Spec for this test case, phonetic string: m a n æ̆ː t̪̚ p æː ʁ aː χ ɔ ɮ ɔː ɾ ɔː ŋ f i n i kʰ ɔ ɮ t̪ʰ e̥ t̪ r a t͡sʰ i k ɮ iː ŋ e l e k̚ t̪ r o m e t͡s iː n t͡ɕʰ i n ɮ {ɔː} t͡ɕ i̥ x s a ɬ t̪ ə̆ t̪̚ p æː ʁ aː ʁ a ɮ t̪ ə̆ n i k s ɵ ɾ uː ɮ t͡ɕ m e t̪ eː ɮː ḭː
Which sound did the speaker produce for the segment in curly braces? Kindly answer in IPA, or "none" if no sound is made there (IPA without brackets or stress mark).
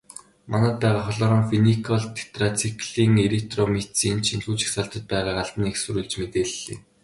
uː